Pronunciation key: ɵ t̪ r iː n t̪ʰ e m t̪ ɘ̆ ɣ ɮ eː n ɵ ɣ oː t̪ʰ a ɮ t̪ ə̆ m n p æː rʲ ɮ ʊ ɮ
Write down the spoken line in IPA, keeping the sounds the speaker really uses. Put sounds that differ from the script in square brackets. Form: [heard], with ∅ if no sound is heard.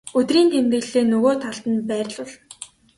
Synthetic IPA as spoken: ɵ t̪ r iː n t̪ʰ e m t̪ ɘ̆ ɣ ɮ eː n ɵ ɣ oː t̪ʰ a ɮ t̪ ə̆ [∅] n p æː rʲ ɮ ʊ ɮ